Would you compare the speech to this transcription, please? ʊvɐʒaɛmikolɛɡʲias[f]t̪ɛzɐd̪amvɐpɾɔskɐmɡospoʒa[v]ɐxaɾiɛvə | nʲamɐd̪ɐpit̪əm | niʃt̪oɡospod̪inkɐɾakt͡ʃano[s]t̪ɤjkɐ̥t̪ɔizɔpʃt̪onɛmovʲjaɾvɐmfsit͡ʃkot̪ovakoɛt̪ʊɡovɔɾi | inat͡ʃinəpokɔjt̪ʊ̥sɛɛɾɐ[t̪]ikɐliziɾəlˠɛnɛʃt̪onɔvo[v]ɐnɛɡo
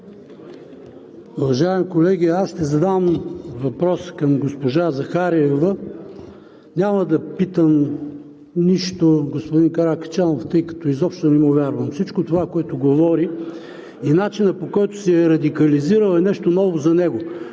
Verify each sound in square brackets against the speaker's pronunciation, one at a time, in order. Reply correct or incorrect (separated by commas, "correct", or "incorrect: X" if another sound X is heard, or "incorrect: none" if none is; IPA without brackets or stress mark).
incorrect: ʃ, incorrect: z, incorrect: f, incorrect: d̪, incorrect: z